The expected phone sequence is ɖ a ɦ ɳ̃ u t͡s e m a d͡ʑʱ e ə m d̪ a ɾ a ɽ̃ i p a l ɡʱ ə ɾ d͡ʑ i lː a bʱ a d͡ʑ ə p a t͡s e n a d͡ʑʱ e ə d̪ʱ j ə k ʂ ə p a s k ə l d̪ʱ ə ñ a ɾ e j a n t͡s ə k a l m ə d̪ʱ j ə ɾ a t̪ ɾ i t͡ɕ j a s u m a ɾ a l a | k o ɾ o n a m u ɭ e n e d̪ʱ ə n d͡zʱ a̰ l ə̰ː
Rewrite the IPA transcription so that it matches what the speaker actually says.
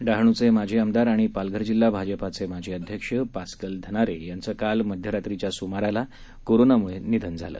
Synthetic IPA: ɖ a ɦ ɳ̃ u t͡s e m a d͡ʑʱ e ə m d̪ a ɾ a ɽ̃ i p a l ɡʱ ə ɾ d͡ʑ i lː a bʱ a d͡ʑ ə p a t͡s e m a d͡ʑʱ e ə d̪ʱ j ə k ʂ ə p a s k ə l d̪ʱ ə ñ a ɾ e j a n t͡s ə k a l m ə d̪ʱ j ə ɾ a t̪ ɾ i t͡ɕ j a s u m a ɾ a l a | k o ɾ o n a m u ɭ e n i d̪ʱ ə n d͡zʱ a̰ l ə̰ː